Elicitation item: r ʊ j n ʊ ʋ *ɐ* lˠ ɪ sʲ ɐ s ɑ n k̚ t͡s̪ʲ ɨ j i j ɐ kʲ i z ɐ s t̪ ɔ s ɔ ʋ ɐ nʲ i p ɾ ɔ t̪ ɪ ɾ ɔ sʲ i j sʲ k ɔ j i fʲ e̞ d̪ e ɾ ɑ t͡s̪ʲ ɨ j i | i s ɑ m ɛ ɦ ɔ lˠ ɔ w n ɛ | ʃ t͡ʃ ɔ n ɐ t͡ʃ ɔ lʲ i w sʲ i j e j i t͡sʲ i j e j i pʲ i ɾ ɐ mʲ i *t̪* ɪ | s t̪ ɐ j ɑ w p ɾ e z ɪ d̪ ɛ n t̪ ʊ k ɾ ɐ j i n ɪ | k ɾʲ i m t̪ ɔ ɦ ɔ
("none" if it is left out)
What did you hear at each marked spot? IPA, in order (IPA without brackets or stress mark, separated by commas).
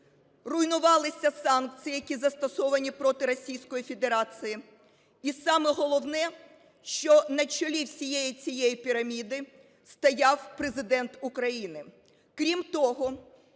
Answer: ɑ, d̪